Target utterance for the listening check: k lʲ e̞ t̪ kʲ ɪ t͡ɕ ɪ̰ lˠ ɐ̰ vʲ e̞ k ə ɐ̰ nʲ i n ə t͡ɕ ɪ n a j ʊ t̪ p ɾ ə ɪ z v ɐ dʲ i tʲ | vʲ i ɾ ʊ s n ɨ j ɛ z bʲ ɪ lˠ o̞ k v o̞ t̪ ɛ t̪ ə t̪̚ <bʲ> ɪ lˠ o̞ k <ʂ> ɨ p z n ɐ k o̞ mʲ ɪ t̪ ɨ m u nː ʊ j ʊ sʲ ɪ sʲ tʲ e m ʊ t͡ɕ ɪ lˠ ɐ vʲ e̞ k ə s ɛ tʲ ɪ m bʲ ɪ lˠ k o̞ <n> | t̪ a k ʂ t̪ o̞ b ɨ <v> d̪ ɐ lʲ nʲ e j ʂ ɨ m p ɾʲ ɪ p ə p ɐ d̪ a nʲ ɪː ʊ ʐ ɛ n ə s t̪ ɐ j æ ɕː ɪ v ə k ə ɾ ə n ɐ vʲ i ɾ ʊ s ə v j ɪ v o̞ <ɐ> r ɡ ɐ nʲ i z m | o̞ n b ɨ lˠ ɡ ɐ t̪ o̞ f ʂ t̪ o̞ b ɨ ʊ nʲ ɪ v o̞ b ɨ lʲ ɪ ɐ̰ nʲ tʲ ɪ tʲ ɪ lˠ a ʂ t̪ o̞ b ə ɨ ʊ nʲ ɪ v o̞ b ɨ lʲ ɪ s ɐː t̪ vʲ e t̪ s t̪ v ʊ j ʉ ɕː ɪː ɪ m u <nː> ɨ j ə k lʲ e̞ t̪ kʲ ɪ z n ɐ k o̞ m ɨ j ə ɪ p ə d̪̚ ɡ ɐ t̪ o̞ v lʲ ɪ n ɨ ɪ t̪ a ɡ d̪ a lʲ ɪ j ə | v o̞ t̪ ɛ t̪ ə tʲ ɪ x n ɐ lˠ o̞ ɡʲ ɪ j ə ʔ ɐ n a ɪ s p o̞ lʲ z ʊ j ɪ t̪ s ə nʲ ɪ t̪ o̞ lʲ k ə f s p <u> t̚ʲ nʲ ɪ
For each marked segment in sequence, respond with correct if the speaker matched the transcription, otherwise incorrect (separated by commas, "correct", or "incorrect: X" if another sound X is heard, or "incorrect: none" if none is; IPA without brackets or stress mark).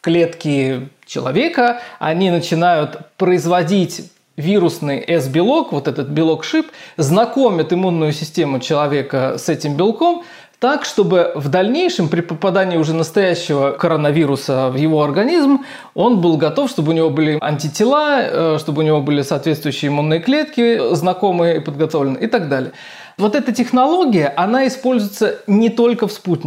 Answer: correct, correct, incorrect: m, correct, correct, correct, correct